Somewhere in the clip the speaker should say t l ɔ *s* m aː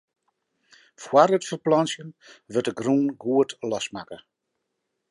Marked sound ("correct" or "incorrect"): correct